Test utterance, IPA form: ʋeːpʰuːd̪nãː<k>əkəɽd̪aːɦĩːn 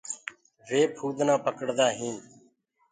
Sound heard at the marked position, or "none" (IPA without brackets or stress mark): p